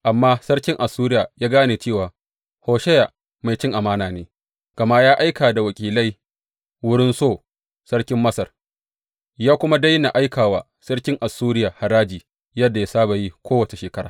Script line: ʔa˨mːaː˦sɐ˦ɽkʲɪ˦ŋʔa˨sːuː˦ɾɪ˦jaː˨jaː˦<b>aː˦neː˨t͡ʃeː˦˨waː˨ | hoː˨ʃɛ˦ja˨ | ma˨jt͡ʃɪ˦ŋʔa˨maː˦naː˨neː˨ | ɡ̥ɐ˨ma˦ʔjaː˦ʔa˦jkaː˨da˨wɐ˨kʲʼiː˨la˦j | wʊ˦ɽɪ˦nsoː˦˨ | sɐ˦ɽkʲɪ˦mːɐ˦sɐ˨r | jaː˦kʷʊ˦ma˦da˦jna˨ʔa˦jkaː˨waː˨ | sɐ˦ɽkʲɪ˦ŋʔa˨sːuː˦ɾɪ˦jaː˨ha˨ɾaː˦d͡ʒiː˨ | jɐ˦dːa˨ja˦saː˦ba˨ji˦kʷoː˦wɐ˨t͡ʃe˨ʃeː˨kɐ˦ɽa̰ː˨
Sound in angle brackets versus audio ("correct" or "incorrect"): incorrect